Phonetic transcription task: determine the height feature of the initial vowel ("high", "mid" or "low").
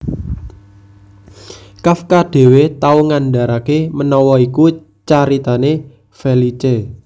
low